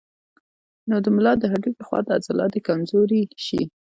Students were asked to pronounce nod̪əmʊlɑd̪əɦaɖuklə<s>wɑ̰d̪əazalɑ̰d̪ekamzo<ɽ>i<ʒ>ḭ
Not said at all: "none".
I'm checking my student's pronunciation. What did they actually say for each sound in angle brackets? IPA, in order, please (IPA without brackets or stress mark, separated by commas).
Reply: x, ɾ, ʃ